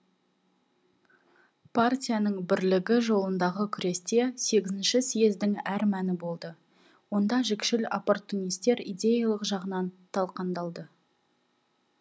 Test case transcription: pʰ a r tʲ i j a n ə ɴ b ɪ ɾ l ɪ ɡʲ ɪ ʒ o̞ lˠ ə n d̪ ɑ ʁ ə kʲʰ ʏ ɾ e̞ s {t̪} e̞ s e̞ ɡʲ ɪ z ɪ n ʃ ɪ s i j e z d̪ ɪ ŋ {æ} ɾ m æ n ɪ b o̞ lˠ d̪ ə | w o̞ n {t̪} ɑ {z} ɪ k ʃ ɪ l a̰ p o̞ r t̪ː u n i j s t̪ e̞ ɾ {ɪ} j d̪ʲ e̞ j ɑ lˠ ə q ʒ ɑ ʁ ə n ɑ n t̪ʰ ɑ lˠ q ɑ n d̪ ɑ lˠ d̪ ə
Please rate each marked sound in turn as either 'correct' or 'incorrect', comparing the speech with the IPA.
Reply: correct, correct, incorrect, incorrect, incorrect

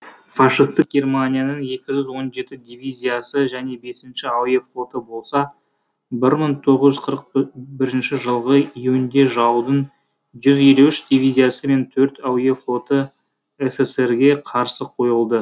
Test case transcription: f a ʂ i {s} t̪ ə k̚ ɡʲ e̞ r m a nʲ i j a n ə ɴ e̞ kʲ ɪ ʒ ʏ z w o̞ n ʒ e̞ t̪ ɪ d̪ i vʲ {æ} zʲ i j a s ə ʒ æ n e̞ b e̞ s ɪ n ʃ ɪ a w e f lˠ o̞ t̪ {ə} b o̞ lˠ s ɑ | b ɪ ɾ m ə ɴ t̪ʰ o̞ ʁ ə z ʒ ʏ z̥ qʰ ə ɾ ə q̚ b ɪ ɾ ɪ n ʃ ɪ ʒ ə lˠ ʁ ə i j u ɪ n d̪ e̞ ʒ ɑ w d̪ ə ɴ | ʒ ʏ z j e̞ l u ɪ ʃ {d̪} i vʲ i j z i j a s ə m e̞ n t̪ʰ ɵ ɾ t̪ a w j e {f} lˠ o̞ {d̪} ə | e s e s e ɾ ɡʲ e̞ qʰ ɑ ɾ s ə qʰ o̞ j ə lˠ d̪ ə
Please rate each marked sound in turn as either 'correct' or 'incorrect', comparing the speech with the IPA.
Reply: correct, incorrect, correct, correct, correct, incorrect

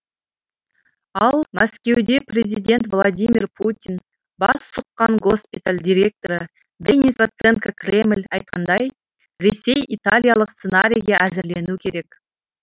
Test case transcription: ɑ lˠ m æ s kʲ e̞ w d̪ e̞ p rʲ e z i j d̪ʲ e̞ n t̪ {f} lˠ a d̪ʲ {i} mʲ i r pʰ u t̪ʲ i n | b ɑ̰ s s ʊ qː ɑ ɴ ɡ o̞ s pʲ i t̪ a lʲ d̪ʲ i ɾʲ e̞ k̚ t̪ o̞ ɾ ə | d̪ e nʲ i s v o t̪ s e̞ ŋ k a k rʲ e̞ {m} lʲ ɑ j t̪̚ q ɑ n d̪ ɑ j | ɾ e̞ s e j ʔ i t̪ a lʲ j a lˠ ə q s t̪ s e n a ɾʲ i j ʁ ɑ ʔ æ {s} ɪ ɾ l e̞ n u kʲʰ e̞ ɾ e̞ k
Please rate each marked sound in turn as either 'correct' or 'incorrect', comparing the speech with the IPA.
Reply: incorrect, correct, correct, incorrect

